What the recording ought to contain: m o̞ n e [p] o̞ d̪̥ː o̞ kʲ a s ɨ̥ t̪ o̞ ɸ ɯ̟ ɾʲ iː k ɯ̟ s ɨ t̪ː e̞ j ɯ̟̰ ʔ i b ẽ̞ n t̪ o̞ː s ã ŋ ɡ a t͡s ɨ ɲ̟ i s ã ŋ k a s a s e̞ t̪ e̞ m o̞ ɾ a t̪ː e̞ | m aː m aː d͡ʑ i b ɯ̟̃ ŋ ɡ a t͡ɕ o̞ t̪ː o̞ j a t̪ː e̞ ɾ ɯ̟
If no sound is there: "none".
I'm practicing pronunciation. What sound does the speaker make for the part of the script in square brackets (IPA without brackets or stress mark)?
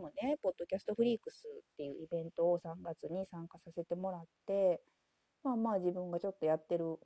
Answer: p